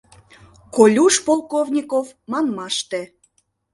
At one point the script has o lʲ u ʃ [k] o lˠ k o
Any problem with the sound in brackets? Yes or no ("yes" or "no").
yes